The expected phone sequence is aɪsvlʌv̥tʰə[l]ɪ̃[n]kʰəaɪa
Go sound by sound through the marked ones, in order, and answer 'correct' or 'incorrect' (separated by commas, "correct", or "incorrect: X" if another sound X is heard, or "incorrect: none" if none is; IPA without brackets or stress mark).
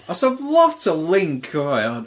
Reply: correct, incorrect: ŋ